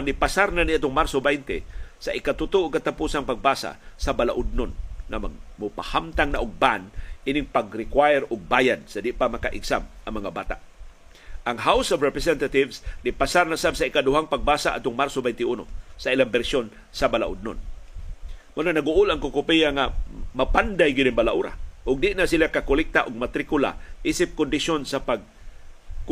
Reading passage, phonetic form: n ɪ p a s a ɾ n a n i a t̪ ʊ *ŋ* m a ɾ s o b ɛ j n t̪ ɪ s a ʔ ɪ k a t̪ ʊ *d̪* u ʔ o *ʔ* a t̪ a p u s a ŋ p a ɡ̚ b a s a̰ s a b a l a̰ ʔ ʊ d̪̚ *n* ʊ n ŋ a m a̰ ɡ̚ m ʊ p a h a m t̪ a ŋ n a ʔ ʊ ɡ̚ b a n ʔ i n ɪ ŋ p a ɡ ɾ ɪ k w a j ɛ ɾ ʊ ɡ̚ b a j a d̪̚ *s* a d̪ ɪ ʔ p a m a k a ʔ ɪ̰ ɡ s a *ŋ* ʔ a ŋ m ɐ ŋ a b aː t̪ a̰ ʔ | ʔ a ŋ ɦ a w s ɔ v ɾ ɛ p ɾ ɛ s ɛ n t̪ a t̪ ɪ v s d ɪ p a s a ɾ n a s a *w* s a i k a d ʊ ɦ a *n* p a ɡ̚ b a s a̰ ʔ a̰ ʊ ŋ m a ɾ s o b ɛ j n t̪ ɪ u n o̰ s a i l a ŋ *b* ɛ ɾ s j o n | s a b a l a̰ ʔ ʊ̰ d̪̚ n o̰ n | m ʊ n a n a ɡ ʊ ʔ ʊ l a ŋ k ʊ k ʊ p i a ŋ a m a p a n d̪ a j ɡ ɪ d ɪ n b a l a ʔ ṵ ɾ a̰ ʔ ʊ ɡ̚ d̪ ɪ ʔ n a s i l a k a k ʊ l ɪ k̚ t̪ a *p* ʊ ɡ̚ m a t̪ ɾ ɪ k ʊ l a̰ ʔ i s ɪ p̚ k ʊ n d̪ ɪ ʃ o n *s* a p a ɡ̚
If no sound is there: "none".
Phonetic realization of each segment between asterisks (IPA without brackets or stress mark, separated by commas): ŋ, t̪, k, n, s, m, b, ŋ, b, ʔ, s